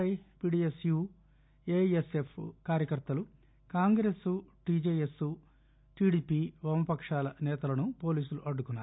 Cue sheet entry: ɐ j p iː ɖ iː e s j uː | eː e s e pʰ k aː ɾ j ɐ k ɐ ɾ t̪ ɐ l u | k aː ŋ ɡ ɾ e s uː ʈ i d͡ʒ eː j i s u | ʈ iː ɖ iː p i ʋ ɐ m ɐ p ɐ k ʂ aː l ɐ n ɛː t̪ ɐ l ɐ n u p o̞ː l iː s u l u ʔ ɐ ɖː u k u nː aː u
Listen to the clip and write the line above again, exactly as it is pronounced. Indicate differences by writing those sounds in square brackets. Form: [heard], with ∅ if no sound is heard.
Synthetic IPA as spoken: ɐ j p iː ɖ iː e s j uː | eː e s e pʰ k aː ɾ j ɐ k ɐ ɾ t̪ ɐ l u | k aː ŋ ɡ ɾ e s [u] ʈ i d͡ʒ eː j [e] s u | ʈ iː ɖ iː p i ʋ ɐ m ɐ p ɐ k ʂ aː l ɐ n ɛː t̪ ɐ l ɐ n u p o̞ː l iː s u l u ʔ ɐ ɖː u k u nː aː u